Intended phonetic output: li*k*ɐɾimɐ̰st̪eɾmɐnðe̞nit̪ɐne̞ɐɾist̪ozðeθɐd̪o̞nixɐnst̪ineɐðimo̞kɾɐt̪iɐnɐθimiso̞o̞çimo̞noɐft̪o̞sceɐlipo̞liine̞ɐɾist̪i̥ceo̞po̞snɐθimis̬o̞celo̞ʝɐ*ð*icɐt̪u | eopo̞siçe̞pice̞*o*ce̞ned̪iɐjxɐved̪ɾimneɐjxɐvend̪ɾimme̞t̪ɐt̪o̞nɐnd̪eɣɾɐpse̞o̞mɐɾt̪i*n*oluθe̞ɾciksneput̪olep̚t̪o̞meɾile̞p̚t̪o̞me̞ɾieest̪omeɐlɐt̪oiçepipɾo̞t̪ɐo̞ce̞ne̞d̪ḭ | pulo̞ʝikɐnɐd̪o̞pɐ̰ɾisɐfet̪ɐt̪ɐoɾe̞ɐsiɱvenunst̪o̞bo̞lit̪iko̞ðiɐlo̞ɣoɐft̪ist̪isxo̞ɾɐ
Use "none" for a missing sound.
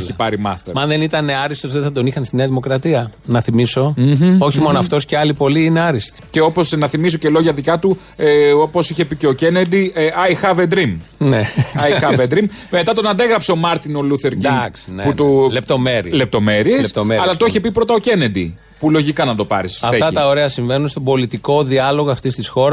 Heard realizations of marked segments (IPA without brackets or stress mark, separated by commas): p, ð, o, n